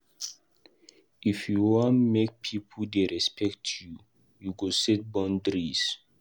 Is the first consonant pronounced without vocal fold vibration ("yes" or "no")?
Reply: yes